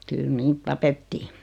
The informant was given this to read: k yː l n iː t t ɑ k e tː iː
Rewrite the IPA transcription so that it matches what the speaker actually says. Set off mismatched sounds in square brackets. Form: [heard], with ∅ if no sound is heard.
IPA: k [y] l n iː t t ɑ [p] e tː iː